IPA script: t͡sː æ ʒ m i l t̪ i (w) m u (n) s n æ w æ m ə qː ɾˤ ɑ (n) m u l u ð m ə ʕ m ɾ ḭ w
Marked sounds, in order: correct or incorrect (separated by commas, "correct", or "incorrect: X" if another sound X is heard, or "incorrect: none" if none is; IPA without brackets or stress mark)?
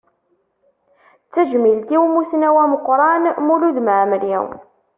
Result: correct, incorrect: none, correct